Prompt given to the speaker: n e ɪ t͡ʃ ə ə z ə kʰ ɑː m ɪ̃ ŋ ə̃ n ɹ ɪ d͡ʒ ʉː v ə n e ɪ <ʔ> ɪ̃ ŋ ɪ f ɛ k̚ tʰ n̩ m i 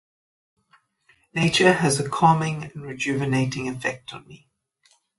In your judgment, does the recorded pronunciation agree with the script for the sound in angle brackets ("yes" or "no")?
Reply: no